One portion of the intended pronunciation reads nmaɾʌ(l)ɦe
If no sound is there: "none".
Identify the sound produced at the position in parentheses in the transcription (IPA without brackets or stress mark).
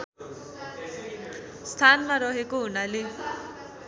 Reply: none